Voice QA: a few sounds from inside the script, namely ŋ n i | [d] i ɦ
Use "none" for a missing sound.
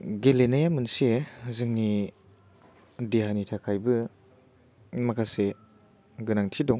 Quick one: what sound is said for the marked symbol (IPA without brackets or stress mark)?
d